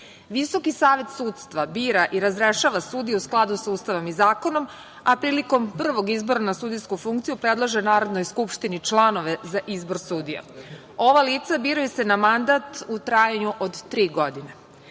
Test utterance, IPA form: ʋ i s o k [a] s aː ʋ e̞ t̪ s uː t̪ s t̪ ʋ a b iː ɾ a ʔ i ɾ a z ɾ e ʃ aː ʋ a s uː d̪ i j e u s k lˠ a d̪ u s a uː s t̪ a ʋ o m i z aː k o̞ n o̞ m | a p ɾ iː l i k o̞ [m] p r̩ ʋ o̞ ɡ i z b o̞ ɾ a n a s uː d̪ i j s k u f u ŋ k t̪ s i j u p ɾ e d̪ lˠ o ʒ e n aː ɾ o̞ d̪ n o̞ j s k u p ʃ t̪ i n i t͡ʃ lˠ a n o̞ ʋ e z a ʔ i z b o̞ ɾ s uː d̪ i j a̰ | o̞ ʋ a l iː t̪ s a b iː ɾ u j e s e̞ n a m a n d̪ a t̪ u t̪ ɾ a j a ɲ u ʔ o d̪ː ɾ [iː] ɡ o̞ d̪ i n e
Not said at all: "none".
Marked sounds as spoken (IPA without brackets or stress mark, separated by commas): i, m, iː